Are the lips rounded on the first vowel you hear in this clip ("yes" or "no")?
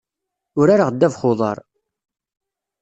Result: yes